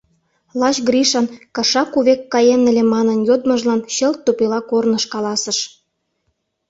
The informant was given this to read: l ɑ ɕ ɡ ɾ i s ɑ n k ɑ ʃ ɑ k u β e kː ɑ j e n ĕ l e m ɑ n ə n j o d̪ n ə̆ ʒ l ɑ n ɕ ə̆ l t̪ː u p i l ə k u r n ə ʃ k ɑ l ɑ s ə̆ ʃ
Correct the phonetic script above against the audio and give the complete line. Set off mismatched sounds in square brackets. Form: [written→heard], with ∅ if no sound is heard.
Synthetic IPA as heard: l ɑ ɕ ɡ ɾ i [s→ʃ] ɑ n k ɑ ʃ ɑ k u β e kː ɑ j e n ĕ l e m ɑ n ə n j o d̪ [n→m] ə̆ ʒ l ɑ n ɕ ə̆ l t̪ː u p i l [ə→ɑ] k [u→o] r n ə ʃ k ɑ l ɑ s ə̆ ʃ

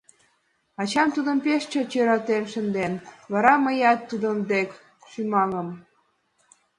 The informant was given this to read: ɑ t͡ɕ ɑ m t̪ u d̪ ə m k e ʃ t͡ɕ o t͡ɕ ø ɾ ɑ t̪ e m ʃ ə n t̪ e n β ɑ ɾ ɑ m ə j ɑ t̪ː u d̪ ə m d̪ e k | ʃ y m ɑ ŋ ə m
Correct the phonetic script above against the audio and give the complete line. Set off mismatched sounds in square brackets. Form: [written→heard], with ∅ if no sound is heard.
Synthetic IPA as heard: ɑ t͡ɕ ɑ m t̪ u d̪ ə m [k→p] e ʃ t͡ɕ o t͡ɕ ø ɾ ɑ t̪ e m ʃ ə n [t̪→d̪] e n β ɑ ɾ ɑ m ə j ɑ t̪ː u d̪ ə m d̪ e k | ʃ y m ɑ ŋ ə m

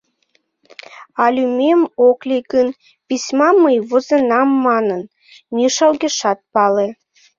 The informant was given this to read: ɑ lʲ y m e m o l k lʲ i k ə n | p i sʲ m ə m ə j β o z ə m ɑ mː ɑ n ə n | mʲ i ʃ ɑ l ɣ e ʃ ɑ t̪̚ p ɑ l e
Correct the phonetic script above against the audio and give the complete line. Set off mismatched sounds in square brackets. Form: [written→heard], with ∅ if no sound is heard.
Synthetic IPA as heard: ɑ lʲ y m e m o [l→∅] k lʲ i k ə n | p i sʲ m [ə→ɑ] m ə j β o z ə [m→n] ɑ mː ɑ n ə n | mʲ i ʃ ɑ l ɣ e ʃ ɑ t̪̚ p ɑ l e

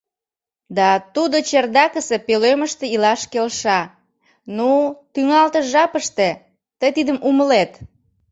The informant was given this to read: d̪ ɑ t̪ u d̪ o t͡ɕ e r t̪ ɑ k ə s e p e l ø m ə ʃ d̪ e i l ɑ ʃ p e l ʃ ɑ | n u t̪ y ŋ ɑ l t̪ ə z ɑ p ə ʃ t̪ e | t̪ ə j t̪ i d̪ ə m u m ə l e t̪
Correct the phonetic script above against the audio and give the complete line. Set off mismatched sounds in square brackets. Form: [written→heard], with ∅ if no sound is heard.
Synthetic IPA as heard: d̪ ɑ t̪ u d̪ o t͡ɕ e r [t̪→d̪] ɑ k ə s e p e l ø m ə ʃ [d̪→t̪] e i l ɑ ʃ [p→k] e l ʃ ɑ | n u t̪ y ŋ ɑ l t̪ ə [z→ʒ] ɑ p ə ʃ t̪ e | t̪ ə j t̪ i d̪ ə m u m ə l e t̪

